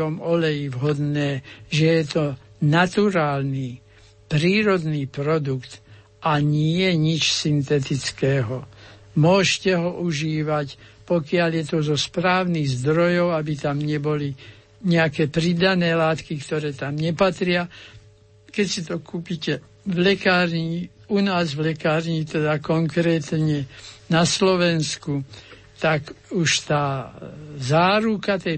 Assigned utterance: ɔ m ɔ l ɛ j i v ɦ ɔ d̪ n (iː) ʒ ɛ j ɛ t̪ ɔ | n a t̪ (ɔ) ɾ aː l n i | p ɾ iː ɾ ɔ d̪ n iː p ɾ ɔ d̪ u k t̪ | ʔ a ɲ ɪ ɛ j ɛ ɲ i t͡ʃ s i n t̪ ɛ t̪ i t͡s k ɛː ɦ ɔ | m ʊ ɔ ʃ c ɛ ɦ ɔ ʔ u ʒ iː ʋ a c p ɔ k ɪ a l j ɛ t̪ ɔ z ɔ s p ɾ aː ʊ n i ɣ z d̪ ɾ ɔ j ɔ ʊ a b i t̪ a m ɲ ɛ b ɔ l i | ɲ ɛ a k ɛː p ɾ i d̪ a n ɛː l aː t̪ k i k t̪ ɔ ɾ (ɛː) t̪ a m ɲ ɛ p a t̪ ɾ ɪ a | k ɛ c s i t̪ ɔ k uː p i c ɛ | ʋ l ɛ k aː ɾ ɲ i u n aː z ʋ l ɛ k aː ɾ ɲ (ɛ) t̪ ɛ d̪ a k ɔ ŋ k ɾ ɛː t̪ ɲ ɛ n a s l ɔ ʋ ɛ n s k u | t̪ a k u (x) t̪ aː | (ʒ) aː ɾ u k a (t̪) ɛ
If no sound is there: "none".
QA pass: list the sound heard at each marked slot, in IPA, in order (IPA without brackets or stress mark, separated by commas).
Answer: ɛː, u, ɛː, i, ʃ, z, t̪